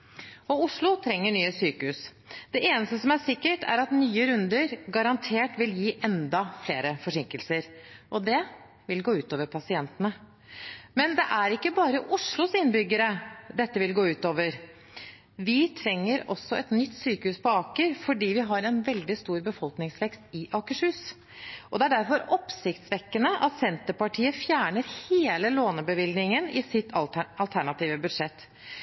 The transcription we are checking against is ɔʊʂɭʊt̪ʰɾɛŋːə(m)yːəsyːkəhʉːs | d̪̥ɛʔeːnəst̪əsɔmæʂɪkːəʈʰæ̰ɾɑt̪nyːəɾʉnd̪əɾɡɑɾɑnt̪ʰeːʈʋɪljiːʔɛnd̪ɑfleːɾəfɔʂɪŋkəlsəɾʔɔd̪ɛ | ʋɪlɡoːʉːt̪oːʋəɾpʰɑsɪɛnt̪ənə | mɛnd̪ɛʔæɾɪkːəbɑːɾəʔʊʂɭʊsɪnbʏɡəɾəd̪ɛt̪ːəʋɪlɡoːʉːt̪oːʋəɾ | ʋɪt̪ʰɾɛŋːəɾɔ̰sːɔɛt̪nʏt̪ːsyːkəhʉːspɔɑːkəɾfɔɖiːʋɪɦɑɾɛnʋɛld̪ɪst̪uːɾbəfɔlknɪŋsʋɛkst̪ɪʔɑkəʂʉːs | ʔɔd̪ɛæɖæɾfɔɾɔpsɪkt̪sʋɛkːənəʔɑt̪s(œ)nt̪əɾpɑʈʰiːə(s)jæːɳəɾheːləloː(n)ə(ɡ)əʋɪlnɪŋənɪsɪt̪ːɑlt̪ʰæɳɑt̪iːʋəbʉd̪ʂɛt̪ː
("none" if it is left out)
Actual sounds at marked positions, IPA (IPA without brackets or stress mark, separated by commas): ɳ, ɛ, f, n, b